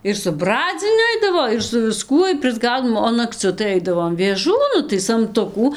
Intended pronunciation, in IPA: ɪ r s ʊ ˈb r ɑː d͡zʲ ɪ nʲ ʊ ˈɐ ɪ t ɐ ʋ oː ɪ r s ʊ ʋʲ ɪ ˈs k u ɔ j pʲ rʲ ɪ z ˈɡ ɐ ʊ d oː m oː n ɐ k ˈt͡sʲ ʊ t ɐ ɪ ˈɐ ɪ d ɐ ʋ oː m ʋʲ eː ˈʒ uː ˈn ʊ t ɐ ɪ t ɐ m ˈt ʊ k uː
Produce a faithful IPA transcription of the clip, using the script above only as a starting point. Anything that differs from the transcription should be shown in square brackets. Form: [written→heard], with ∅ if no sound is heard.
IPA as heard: ɪ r s ʊ ˈb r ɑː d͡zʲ ɪ nʲ ʊ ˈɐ ɪ [t→d] ɐ ʋ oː ɪ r s ʊ ʋʲ ɪ ˈs k u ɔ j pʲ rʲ ɪ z ˈɡ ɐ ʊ d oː m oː n ɐ k ˈt͡sʲ ʊ t ɐ ɪ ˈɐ ɪ d ɐ ʋ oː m ʋʲ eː ˈʒ uː ˈn ʊ t ɐ ɪ [t→s] ɐ m ˈt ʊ k uː